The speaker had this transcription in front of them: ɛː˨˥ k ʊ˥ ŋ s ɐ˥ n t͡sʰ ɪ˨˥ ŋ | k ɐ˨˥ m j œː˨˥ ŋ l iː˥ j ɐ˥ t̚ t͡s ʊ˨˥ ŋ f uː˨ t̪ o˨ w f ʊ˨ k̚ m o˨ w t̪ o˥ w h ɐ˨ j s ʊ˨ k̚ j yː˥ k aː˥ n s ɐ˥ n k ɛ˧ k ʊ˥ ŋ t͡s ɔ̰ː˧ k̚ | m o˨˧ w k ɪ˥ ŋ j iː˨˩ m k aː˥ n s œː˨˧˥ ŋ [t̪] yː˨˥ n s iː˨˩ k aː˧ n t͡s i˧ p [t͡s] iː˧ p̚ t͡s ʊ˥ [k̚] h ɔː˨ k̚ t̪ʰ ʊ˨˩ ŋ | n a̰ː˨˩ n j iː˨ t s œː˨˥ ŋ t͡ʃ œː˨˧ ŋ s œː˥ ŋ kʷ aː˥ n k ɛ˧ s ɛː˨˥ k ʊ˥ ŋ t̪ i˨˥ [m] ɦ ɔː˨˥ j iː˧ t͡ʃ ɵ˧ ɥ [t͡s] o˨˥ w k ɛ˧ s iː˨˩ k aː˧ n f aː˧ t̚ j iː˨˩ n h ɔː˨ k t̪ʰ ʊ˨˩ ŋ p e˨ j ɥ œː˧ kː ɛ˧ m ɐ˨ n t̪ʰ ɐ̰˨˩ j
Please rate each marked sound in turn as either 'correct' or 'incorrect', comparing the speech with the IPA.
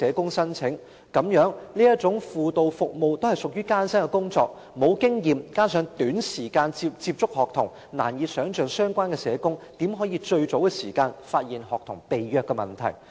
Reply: correct, correct, correct, correct, correct

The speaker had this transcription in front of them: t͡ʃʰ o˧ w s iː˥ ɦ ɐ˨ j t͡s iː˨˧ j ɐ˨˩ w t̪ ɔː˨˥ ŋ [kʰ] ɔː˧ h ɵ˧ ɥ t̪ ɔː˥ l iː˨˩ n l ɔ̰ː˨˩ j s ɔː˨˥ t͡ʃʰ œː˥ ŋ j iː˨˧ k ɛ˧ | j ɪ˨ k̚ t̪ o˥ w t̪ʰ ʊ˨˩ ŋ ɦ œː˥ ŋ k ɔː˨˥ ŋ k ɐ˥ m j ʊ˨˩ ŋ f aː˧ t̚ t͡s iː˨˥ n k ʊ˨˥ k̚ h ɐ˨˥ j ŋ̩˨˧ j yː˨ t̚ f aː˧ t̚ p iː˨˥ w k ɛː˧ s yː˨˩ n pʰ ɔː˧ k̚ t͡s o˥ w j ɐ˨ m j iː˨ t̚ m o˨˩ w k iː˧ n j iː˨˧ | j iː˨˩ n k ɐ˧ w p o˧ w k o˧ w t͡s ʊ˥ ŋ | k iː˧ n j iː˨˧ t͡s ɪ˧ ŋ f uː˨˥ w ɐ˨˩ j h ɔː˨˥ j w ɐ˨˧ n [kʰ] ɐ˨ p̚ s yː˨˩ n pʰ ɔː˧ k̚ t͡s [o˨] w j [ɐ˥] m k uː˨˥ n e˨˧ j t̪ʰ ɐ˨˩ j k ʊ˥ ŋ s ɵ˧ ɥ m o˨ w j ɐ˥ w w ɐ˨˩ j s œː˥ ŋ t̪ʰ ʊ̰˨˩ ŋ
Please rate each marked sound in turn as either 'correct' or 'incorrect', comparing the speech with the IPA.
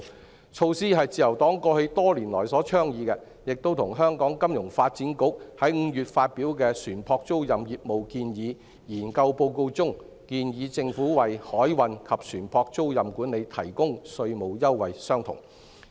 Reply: incorrect, correct, incorrect, incorrect

